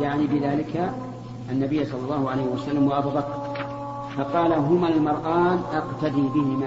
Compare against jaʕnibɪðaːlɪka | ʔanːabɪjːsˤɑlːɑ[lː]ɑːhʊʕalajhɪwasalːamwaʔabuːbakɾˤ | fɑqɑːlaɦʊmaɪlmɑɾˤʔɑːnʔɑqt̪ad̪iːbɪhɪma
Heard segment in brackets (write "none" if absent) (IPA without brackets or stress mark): lː